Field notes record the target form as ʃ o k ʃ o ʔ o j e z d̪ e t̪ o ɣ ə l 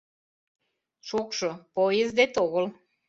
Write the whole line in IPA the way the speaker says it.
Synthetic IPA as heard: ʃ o k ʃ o p o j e z d̪ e t̪ o ɣ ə l